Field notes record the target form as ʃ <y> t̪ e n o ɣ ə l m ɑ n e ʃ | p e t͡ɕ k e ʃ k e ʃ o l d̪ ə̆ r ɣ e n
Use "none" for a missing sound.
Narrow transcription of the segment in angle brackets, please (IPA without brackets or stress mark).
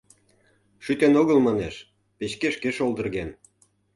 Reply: y